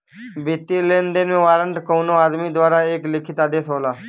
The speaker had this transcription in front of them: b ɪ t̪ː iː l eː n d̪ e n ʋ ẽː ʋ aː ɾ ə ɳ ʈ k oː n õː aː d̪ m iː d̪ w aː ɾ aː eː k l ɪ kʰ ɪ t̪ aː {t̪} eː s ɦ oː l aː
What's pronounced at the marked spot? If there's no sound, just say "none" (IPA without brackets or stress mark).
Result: d̪